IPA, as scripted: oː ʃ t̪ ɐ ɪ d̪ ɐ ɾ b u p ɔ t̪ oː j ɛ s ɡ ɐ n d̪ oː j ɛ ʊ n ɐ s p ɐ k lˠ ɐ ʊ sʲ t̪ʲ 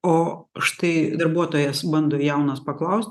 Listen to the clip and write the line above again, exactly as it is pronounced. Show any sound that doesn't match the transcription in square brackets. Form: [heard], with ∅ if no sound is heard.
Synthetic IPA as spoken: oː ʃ t̪ ɐ ɪ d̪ ɐ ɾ b u [∅] ɔ t̪ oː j ɛ s [b] ɐ n d̪ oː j ɛ ʊ n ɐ s p ɐ k lˠ ɐ ʊ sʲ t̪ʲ

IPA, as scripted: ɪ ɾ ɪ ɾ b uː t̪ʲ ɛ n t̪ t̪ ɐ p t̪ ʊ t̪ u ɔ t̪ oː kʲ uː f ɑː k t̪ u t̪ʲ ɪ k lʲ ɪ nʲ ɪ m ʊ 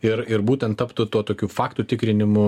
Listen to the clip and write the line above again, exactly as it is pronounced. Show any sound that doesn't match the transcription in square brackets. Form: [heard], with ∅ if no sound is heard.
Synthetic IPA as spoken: ɪ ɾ ɪ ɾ b uː t̪ʲ ɛ n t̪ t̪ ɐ p t̪ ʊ t̪ u ɔ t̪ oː kʲ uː f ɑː k t̪ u t̪ʲ ɪ k [ɾʲ] ɪ nʲ ɪ m ʊ

